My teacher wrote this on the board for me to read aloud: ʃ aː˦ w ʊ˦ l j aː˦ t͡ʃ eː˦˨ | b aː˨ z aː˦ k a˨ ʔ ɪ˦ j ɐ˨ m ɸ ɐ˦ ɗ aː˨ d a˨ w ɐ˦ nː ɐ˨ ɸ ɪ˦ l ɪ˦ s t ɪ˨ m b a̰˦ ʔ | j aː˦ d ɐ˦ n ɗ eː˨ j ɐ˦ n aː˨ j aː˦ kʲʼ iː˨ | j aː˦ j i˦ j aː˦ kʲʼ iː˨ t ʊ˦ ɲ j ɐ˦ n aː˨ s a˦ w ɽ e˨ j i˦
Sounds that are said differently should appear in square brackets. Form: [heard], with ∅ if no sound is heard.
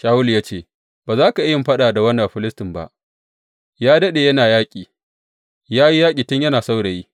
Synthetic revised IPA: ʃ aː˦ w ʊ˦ l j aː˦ t͡ʃ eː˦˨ | b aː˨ z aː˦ k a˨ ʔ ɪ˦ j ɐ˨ m ɸ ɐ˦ ɗ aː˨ d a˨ w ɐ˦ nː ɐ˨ ɸ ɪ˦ l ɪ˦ s t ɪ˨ m b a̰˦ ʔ | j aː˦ d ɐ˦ [∅] ɗ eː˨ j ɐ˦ n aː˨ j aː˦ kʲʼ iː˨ | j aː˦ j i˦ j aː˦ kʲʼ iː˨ t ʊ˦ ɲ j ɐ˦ n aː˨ s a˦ w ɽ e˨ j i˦

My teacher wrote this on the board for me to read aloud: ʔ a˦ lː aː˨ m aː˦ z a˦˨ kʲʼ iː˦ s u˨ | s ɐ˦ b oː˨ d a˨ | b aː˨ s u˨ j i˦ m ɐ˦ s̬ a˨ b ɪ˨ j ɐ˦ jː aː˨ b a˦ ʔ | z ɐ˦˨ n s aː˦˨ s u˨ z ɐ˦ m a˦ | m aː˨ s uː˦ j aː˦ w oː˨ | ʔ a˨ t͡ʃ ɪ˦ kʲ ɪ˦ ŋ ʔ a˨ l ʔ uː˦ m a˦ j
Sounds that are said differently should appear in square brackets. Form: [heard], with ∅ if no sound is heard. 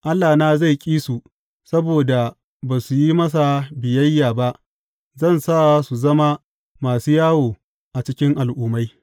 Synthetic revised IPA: ʔ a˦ lː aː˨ [n] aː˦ z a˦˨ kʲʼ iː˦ s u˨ | s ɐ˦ b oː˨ d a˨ | b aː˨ s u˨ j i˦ m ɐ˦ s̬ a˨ b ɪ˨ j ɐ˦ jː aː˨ b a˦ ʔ | z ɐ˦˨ n s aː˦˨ s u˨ z ɐ˦ m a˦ | m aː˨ s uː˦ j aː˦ w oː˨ | ʔ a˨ t͡ʃ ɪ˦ kʲ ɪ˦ ŋ ʔ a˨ l ʔ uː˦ m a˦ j

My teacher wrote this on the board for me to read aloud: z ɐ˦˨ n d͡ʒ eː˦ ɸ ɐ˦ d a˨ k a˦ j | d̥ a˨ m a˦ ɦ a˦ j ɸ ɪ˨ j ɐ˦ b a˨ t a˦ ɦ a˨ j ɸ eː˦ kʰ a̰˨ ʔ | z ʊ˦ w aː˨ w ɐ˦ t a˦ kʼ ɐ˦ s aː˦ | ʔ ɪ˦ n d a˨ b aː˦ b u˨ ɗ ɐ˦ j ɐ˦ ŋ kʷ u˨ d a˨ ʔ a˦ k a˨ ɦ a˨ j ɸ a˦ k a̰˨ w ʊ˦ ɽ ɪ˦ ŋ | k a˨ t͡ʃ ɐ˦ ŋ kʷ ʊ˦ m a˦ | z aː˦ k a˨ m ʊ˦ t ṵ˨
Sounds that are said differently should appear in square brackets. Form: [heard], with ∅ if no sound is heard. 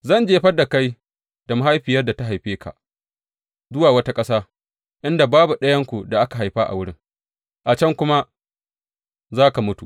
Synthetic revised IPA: z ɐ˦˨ n d͡ʒ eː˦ ɸ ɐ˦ d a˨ k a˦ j | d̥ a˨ m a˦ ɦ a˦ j ɸ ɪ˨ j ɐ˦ [d] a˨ t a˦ ɦ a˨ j ɸ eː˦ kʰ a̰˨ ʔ | z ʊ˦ w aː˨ w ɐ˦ t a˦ kʼ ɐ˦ s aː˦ | ʔ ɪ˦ n d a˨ b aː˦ b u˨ ɗ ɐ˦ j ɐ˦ ŋ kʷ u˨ d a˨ ʔ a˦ k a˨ ɦ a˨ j ɸ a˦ [ʔ] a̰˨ w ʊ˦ ɽ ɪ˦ ŋ | [ʔ] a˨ t͡ʃ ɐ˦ ŋ kʷ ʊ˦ m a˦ | z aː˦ k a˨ m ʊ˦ t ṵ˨

